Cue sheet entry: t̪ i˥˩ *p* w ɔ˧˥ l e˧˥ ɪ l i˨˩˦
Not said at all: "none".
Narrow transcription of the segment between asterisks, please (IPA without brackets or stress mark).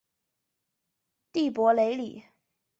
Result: p